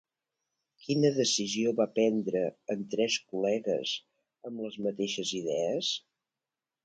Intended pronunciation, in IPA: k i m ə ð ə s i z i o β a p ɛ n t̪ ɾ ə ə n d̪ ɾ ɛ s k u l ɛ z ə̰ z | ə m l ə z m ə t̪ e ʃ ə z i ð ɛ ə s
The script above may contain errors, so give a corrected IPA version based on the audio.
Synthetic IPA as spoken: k i n ə ð ə s i z i o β a p ɛ n d̪ ɾ ə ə n t̪ ɾ ɛ s k u l ɛ ɣ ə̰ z | ə m l ə z m ə t̪ e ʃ ə z i ð ɛ ə s